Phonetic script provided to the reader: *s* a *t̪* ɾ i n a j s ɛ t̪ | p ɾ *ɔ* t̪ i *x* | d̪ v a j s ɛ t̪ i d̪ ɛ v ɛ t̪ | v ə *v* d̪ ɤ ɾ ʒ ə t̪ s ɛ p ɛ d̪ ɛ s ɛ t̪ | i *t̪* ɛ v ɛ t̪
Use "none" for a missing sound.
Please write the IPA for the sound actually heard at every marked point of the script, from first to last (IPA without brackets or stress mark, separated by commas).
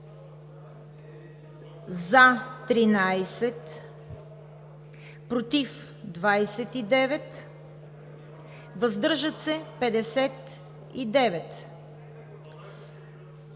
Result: z, t̪, o, f, z, d̪